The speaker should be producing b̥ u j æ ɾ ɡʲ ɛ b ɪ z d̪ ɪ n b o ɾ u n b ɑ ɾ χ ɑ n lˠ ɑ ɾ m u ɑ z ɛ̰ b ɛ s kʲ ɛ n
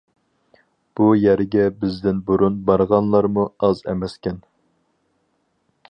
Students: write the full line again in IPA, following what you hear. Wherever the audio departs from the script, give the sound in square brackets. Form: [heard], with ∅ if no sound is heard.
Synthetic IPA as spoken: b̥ u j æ ɾ ɡʲ ɛ b ɪ z d̪ ɪ n b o ɾ u n b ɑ ɾ [ʁ] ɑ n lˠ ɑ ɾ m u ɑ z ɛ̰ [m] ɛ s kʲ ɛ n